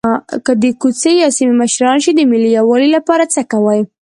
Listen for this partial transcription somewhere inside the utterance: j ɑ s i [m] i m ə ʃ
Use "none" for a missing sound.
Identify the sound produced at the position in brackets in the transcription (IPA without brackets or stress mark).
m